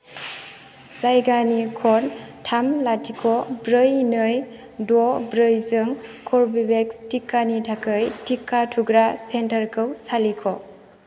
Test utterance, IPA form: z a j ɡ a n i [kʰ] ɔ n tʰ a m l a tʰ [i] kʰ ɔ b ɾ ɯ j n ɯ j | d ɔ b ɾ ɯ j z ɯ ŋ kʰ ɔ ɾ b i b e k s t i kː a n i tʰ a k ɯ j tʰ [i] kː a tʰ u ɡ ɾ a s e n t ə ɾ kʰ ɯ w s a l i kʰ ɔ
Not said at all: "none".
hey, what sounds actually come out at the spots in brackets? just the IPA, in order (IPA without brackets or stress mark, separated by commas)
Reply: kʰ, i, i